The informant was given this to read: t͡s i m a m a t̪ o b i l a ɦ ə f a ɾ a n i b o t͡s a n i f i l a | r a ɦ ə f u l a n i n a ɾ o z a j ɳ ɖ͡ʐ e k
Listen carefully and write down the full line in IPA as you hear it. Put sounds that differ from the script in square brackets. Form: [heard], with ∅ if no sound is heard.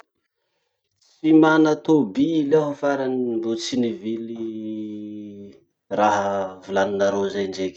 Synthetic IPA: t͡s i m a [n] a t̪ o b i l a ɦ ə f a ɾ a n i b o t͡s [i] n i [v] i l [i] | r a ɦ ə [v] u l a n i n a ɾ o z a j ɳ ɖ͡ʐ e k